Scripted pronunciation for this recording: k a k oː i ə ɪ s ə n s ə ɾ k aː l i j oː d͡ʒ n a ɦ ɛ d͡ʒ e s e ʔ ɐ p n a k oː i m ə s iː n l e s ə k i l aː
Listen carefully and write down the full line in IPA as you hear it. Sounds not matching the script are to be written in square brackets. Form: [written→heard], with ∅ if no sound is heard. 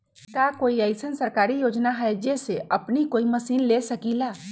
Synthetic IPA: k a k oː i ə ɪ s ə n s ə ɾ k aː [l→ɾ] i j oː d͡ʒ n a ɦ ɛ d͡ʒ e s e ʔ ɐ p n [a→i] k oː i m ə s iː n l e s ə k i l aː